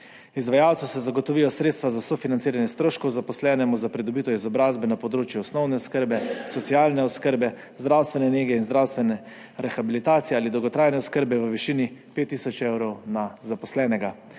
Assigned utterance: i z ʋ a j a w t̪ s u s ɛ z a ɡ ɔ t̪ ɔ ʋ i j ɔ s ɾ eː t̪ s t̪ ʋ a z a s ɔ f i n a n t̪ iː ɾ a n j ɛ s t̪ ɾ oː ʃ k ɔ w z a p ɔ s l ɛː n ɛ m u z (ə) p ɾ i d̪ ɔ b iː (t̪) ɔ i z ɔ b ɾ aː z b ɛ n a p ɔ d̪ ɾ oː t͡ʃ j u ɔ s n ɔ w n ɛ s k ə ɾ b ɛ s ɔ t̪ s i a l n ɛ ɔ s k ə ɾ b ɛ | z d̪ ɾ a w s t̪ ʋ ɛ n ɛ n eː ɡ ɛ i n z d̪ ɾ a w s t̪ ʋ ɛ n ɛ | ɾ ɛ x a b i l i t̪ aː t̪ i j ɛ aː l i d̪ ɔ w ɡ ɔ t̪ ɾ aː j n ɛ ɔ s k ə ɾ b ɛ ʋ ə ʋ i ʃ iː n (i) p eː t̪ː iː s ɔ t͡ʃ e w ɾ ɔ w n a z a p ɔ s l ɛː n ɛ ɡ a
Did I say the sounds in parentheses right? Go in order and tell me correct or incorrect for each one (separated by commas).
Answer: incorrect, correct, correct